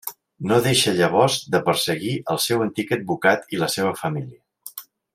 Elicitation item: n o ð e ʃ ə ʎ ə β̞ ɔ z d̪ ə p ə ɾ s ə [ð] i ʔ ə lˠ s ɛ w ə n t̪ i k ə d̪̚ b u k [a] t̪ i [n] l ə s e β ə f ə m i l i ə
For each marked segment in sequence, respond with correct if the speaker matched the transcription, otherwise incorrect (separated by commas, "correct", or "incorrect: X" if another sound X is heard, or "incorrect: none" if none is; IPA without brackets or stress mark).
incorrect: ɣ, correct, incorrect: none